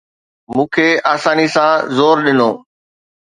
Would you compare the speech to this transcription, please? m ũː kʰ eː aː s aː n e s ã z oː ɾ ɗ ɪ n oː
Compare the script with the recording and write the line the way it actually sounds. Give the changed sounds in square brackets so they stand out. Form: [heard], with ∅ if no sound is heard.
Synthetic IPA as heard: m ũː kʰ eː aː s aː n [i] s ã z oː ɾ ɗ ɪ n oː